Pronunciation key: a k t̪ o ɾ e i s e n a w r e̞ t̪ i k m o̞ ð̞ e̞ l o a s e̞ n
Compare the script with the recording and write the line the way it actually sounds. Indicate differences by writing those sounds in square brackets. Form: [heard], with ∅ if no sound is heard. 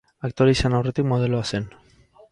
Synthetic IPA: a k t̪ o ɾ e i s [a] n a w r e̞ t̪ i k m o̞ ð̞ e̞ l o a s e̞ n

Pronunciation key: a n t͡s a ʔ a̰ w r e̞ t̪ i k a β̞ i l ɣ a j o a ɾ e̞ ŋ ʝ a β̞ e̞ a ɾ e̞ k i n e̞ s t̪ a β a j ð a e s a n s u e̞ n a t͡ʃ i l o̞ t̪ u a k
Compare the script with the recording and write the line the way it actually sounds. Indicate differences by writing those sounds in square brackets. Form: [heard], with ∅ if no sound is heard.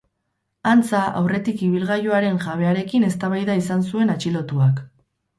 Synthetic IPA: a n t͡s a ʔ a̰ w r e̞ t̪ i k [i] β̞ i l ɣ a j o a ɾ e̞ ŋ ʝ a β̞ e̞ a ɾ e̞ k i n e̞ s t̪ a β a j ð a [i] s a n s u e̞ n a t͡ʃ i l o̞ t̪ u a k

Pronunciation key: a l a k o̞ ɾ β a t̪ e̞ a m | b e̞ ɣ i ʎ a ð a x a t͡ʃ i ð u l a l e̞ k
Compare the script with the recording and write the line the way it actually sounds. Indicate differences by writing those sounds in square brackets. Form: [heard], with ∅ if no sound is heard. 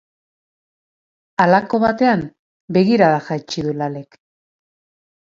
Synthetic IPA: a l a k o̞ [∅] β a t̪ e̞ a m | b e̞ ɣ i [ɾ] a ð a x a t͡ʃ i ð u l a l e̞ k

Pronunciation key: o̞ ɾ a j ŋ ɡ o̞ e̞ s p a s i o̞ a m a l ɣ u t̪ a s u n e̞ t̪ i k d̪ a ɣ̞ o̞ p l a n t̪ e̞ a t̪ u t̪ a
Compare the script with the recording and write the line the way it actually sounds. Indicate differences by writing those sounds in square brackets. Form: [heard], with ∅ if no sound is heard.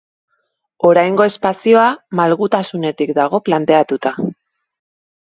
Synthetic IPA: o̞ ɾ a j ŋ ɡ o̞ e̞ s p a s i o̞ a m a l ɣ u t̪ a s u n e̞ t̪ i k d̪ a ɣ̞ o̞ p l a n t̪ e̞ a t̪ u t̪ a

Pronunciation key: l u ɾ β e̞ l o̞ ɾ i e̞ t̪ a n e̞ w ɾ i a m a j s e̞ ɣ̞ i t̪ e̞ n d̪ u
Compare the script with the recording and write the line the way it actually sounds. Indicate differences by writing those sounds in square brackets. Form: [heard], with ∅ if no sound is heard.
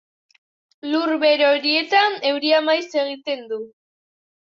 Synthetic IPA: l u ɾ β e̞ [ɾ] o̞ ɾ i e̞ t̪ a n e̞ w ɾ i a m a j s e̞ ɣ̞ i t̪ e̞ n d̪ u

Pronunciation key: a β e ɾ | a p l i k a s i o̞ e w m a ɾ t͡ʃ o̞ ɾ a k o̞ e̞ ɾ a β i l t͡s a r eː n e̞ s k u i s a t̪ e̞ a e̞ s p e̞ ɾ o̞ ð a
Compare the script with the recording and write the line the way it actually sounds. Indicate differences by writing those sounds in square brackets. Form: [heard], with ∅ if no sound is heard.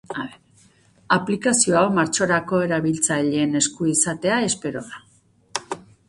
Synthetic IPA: a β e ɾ | a p l i k a s i o̞ [a] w m a ɾ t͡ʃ o̞ ɾ a k o̞ e̞ ɾ a β i l t͡s a [ʎ] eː n e̞ s k u i s a t̪ e̞ a e̞ s p e̞ ɾ o̞ ð a

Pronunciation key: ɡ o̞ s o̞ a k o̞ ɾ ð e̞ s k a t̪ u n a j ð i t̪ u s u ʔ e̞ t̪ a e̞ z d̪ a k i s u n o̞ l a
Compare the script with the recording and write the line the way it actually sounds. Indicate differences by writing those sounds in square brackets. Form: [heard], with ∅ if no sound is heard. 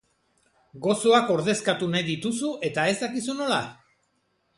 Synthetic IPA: ɡ o̞ s o̞ a k o̞ ɾ ð e̞ s k a t̪ u n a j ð i t̪ u s u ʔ e̞ t̪ a e̞ z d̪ a k i s u n o̞ l a

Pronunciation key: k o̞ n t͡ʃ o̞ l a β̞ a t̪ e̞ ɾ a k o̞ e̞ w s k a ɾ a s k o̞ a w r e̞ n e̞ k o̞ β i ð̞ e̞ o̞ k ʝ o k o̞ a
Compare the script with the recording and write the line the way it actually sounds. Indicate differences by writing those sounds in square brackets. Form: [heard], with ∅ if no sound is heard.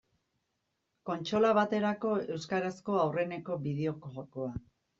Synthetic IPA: k o̞ n t͡ʃ o̞ l a β̞ a t̪ e̞ ɾ a k o̞ e̞ w s k a ɾ a s k o̞ a w r e̞ n e̞ k o̞ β i ð̞ e̞ o̞ k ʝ o k o̞ a

